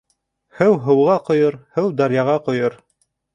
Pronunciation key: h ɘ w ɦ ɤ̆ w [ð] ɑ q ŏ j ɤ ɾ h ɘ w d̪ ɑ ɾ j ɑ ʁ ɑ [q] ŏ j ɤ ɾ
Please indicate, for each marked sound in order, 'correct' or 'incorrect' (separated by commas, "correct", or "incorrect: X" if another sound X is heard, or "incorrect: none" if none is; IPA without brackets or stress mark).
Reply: incorrect: ʁ, correct